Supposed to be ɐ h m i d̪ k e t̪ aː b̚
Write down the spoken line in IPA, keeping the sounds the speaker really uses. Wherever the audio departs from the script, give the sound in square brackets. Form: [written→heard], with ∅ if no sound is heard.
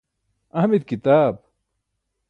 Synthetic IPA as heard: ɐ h m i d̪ k [e→i] t̪ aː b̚